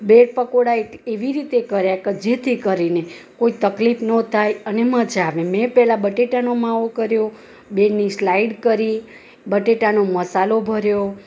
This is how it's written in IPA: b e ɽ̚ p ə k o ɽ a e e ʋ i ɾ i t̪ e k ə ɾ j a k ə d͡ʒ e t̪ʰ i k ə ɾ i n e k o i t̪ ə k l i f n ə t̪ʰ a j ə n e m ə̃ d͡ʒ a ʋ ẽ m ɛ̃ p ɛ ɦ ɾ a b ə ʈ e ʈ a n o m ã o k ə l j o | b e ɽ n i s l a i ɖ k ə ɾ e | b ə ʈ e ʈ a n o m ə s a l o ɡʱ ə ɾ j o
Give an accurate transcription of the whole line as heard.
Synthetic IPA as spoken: b e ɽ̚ p ə k o ɽ a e e ʋ i ɾ i t̪ e k ə ɾ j a k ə d͡ʒ e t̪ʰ i k ə ɾ i n e k o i t̪ ə k l i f n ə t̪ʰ a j ə n e m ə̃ d͡ʒ a ʋ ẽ m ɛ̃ p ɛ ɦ l a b ə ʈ e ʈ a n o m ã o k ə ɾ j o | b e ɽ n i s l a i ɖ k ə ɾ i | b ə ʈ e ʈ a n o m ə s a l o bʱ ə ɾ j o

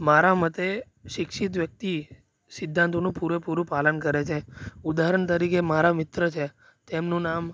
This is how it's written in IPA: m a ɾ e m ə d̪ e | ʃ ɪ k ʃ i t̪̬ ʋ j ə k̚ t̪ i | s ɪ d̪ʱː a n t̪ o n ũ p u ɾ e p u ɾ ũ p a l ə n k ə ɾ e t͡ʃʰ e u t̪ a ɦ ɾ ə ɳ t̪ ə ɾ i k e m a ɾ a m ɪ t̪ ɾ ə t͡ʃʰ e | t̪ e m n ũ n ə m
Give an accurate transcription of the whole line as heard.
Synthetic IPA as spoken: m a ɾ a m ə t̪ e | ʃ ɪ k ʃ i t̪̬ ʋ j ə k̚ t̪ i | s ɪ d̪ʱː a n t̪ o n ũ p u ɾ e p u ɾ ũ p a l ə n k ə ɾ e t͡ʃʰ e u d̪ a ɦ ɾ ə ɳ t̪ ə ɾ i k e m a ɾ a m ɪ t̪ ɾ ə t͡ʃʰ e | t̪ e m n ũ n a m

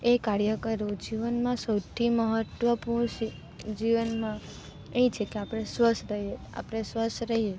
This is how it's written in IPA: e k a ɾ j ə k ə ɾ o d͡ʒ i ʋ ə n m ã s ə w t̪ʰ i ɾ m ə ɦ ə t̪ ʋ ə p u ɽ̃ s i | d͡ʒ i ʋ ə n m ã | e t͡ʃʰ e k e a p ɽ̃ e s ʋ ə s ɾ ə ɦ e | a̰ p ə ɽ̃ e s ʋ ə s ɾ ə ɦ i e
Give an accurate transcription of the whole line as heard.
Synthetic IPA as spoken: e k a ɾ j ə k ə ɾ o d͡ʒ i ʋ ə n m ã s ə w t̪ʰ i m ə ɦ ə t̪ ʋ ə p u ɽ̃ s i | d͡ʒ i ʋ ə n m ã | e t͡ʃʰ e k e a p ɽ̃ e s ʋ ə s ɾ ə ɦ e | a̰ p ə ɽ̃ e s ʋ ə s ɾ ə ɦ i e

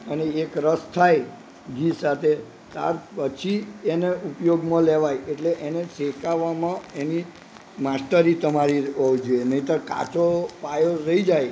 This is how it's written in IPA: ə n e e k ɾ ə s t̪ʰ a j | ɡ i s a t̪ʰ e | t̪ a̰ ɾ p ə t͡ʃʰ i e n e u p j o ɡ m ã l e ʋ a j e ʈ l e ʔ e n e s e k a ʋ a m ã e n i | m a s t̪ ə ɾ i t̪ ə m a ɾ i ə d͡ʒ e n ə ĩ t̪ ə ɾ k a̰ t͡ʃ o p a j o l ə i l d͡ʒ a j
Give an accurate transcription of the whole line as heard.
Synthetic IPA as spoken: ə n e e k ɾ ə s t̪ʰ a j | ɡ i s a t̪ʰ e | t̪ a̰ ɾ p ə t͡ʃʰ i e n e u p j o ɡ m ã l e ʋ a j e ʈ l e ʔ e n e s e k a ʋ a m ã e n i | m a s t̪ ə ɾ i t̪ ə m a ɾ i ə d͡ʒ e n ə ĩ t̪ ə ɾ k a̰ t͡ʃ o p a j o ɾ ə i d͡ʒ a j

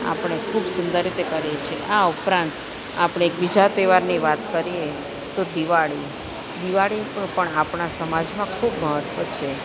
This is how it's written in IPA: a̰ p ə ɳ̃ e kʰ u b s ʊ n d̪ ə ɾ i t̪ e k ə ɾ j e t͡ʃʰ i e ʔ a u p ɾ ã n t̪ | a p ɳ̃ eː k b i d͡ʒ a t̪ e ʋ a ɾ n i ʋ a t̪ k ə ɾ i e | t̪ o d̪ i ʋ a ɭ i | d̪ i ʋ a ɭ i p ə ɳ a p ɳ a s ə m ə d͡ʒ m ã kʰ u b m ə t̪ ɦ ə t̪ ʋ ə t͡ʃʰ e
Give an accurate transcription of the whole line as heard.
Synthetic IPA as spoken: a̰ p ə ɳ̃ e kʰ u b s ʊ n d̪ ə ɾ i t̪ e k ə ɾ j e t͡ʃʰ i e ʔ a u p ɾ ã n t̪ | a p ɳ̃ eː k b i d͡ʒ a t̪ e ʋ a ɾ n i ʋ a t̪ k ə ɾ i e | t̪ o d̪ i ʋ a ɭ i | d̪ i ʋ a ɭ i p ə ɳ a p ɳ a s ə m a d͡ʒ m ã kʰ u b m ə ɦ ə t̪ ʋ ə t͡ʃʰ e

